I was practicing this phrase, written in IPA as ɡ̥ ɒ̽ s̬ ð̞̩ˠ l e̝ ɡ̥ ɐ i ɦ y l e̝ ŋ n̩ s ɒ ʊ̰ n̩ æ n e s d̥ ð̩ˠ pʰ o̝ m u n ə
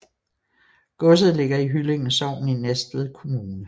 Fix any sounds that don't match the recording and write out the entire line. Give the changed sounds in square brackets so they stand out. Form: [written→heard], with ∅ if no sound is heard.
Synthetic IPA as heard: ɡ̥ [ɒ̽→ɔ̽] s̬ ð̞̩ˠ l e̝ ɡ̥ ɐ i ɦ y l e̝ ŋ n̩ s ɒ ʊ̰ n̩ [æ→i] n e s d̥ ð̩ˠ [pʰ→kʰ] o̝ m [u→uː] n ə

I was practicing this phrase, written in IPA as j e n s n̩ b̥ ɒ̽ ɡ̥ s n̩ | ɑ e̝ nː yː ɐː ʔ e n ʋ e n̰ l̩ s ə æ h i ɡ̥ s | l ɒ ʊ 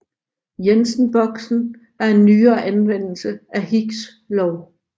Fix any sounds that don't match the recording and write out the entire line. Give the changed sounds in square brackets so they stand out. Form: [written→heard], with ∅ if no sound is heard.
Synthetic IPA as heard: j e n s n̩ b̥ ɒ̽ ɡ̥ s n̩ | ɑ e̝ nː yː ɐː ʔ [e→æ] n ʋ e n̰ l̩ s ə æ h i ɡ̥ s | l ɒ ʊ

